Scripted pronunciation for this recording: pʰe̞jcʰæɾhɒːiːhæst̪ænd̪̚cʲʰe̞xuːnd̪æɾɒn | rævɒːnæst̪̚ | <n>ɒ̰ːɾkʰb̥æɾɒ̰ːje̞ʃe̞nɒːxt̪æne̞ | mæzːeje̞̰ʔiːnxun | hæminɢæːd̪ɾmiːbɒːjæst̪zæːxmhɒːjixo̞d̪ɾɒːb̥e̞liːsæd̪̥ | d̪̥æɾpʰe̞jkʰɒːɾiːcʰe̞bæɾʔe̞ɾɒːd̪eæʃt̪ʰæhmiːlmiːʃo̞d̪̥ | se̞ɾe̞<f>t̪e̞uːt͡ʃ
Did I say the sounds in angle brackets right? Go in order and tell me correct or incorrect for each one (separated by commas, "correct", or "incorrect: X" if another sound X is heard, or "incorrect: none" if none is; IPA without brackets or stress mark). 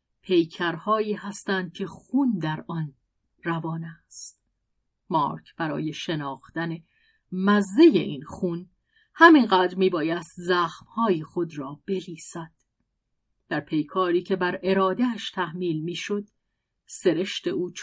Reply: incorrect: m, incorrect: ʃ